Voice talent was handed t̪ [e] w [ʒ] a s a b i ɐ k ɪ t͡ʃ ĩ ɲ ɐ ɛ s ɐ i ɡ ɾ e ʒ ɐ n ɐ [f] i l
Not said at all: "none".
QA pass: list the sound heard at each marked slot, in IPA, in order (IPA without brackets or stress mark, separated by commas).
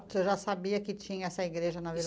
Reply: e, ʒ, v